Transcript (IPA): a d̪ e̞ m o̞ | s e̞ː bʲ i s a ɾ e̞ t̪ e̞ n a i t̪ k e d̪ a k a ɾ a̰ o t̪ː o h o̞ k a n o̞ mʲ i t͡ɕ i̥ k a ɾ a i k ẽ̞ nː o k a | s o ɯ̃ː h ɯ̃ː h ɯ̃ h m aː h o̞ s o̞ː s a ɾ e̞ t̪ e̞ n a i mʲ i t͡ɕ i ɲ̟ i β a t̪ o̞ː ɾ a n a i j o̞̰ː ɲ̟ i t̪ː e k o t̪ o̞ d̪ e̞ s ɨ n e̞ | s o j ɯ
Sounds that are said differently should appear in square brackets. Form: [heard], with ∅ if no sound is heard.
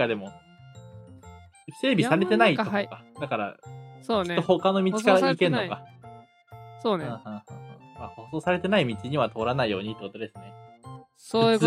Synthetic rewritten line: a d̪ e̞ m o̞ | s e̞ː bʲ i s a ɾ e̞ t̪ e̞ n a i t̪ k [a] d̪ a k a ɾ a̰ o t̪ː o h o̞ k a n o̞ mʲ i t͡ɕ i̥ k a ɾ a i k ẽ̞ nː o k a | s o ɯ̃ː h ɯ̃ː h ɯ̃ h m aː h o̞ s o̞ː s a ɾ e̞ t̪ e̞ n a i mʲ i t͡ɕ i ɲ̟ i β a t̪ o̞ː ɾ a n a i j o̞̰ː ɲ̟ i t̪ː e k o t̪ o̞ d̪ e̞ s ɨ n e̞ | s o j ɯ